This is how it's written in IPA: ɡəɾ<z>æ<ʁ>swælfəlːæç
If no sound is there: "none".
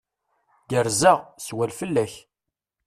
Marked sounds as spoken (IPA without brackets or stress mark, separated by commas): z, ʁ